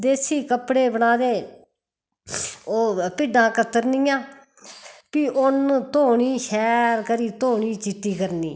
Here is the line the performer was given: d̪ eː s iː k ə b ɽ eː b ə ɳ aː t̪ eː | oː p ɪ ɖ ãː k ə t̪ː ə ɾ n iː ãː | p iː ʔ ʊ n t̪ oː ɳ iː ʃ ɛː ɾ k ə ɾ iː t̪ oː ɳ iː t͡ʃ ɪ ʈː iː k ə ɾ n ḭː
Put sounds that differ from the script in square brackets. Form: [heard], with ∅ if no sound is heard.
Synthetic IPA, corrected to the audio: d̪ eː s iː k ə [p] ɽ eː b ə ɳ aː [d̪] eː | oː p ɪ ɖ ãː k ə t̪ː ə ɾ n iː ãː | p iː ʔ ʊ n t̪ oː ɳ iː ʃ ɛː ɾ k ə ɾ iː t̪ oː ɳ iː t͡ʃ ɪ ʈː iː k ə ɾ n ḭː